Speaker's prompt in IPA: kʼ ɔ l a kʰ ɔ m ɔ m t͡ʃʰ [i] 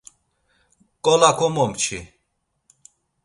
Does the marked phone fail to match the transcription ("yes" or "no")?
no